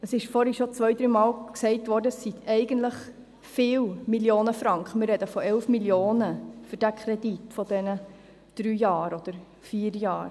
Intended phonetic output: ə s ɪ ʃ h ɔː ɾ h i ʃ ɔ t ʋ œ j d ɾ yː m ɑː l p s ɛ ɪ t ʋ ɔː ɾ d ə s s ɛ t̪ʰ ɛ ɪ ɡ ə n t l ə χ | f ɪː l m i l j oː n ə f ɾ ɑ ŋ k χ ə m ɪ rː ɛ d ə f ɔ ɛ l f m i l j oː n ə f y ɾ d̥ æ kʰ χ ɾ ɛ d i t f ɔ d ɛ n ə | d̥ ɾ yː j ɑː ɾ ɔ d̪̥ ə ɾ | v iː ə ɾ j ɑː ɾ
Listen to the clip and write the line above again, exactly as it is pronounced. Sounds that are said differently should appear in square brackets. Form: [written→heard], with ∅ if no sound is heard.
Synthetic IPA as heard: ə s ɪ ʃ [h→f] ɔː ɾ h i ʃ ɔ [t→t͡s] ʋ œ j d ɾ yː m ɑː l [p→k] s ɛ ɪ t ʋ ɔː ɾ d ə s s [ɛ→i] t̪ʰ ɛ ɪ ɡ ə n t l ə χ | f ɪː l m i l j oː n ə f ɾ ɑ ŋ k χ ə m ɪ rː ɛ d ə f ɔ ɛ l f m i l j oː n ə f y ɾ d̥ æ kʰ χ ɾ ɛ d i t f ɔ d ɛ n ə | d̥ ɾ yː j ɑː ɾ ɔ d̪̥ ə ɾ | [v→f] iː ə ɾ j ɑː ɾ

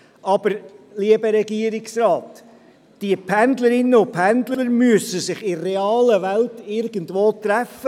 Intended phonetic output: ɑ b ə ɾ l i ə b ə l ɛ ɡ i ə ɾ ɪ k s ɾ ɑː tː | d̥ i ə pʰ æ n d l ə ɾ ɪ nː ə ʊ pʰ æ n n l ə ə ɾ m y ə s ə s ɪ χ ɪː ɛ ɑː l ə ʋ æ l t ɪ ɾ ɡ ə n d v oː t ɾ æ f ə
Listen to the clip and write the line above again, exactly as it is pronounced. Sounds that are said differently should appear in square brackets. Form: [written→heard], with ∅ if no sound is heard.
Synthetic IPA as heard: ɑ b ə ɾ l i ə b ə [l→ɾ] ɛ ɡ i ə ɾ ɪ k s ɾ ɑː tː | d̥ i ə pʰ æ n d l ə ɾ ɪ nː ə ʊ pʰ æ n [n→d] l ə ə ɾ m y ə s ə s ɪ χ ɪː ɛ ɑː l ə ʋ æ l t ɪ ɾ ɡ ə n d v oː t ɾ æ f ə

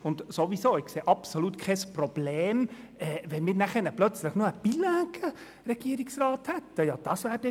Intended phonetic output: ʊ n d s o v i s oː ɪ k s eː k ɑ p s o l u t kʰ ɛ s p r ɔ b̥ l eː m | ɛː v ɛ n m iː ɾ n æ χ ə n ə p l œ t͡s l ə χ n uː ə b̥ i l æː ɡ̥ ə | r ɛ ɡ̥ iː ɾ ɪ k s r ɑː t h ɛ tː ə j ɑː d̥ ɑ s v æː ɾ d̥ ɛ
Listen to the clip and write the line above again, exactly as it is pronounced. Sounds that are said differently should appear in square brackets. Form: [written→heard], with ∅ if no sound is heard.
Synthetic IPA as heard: ʊ n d s o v i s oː ɪ k s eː [k→ʔ] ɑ p s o l u t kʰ ɛ s p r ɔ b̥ l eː m | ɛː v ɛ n m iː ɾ n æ χ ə n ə p l œ t͡s l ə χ n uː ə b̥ i l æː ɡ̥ ə | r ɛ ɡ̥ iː ɾ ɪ k s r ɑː t h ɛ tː ə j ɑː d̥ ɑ s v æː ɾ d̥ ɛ

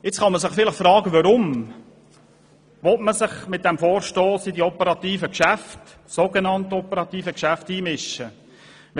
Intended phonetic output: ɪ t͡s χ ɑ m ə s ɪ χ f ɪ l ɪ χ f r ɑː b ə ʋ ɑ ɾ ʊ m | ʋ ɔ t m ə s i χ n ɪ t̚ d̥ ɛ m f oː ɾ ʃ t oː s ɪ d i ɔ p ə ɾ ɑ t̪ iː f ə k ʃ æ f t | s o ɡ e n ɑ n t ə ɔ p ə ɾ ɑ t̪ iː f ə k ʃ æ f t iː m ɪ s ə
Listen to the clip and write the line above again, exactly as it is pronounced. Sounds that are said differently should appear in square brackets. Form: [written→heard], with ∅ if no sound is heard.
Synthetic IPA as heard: ɪ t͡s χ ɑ m ə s ɪ χ f ɪ l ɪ χ f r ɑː [b→ɡ] ə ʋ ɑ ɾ ʊ m | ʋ ɔ t m ə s [i→ɪ] χ [n→m] ɪ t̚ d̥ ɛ m f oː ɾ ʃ t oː s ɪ d i ɔ p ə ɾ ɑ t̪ iː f ə k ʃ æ f t | s o ɡ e n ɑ n t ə ɔ p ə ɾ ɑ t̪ iː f ə k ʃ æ f t iː m ɪ [s→ʃ] ə

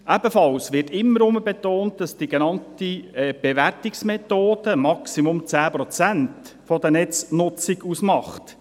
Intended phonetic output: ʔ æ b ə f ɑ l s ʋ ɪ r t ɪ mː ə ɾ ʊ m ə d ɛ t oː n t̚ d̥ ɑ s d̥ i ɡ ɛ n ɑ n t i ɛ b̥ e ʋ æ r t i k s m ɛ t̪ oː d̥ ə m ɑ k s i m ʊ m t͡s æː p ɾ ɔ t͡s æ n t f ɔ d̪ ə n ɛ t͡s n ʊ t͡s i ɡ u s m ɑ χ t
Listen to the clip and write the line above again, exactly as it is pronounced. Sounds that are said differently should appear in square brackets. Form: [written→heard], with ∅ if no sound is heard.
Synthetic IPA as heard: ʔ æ b ə f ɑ l s ʋ ɪ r t ɪ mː ə ɾ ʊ m ə [d→b] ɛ t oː n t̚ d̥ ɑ s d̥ i ɡ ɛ n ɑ n t i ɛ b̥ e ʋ æ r t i k s m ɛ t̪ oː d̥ ə m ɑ k s i m ʊ m t͡s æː p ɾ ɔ t͡s æ n t f ɔ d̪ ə n ɛ t͡s n ʊ t͡s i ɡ u s m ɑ χ t

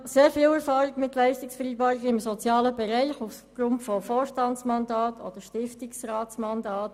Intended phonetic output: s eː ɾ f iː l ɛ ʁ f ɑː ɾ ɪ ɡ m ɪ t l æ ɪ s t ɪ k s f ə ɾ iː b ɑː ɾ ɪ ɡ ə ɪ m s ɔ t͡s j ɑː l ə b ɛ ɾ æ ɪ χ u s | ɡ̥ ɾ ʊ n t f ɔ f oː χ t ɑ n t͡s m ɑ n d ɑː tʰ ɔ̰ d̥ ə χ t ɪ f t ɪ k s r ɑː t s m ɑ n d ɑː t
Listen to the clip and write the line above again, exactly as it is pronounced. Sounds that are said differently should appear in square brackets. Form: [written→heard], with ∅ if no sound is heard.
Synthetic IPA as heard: s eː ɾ f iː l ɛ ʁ f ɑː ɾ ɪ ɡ m ɪ t l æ ɪ s t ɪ k s f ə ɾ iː b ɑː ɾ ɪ ɡ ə ɪ m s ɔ t͡s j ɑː l ə b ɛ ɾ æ ɪ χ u [s→f] | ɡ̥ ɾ ʊ n t f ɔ f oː [χ→ʃ] t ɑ n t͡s m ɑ n d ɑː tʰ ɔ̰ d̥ ə [χ→ʃ] t ɪ f t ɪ k s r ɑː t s m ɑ n d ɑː t

